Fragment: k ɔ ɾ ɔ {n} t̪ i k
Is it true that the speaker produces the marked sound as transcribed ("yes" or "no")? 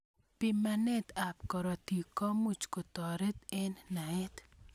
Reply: no